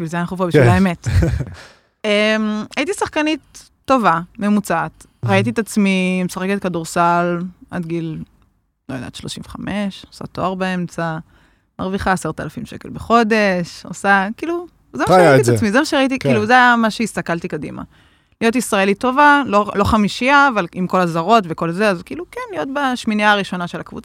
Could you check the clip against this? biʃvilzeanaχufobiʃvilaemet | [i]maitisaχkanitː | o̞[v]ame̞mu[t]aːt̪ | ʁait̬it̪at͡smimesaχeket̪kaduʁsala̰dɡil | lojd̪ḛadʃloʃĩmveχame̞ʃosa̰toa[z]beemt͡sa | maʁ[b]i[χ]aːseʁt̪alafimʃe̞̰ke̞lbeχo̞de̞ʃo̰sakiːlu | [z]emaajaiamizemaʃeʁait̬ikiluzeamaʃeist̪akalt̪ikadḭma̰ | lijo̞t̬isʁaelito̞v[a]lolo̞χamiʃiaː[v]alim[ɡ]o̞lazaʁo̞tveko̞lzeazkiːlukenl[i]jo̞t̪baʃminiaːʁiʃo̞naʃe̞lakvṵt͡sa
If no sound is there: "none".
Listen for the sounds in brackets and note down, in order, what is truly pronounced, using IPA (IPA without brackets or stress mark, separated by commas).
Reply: e, v, t͡s, ʁ, v, χ, z, a, v, k, i